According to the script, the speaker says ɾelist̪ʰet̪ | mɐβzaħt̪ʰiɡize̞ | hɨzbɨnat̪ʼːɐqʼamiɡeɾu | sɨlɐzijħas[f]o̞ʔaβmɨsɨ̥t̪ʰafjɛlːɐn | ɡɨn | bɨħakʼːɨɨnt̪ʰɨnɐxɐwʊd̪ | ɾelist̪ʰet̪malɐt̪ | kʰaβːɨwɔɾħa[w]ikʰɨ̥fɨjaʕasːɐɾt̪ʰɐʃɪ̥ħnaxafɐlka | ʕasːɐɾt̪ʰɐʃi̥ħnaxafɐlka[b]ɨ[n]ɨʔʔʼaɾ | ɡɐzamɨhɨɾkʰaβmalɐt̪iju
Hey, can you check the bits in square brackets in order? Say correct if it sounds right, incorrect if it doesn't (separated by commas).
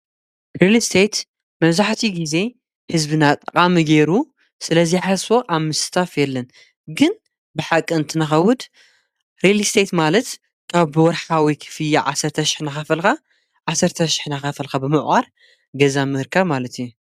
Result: correct, correct, correct, incorrect